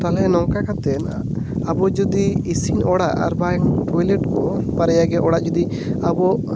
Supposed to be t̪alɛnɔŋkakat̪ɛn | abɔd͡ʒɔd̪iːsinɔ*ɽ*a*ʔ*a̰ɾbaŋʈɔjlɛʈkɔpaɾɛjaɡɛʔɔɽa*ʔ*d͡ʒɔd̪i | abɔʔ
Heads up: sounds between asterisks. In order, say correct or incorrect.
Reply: correct, correct, correct

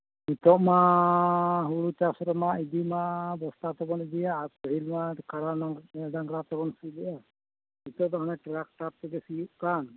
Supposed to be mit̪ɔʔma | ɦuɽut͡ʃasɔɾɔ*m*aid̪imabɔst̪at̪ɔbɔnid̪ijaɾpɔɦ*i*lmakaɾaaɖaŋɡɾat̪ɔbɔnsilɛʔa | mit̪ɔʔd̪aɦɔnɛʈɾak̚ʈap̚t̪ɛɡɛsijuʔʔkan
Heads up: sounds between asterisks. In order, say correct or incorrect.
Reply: correct, correct

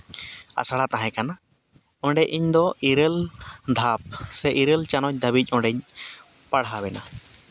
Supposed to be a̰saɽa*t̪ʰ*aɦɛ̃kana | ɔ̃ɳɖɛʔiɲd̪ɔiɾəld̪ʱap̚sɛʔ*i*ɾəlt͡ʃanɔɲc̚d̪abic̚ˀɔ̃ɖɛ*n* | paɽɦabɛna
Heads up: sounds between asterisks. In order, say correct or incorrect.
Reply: incorrect, correct, incorrect

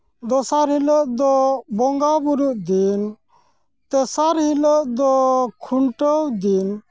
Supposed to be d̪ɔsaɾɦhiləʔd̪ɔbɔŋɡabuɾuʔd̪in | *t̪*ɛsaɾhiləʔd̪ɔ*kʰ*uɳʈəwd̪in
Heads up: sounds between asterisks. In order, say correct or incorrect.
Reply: correct, correct

